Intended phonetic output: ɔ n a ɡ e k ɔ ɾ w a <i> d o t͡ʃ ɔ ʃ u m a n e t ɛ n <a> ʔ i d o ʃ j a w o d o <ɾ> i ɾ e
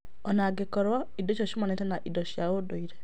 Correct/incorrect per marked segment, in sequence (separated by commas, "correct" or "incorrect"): correct, correct, incorrect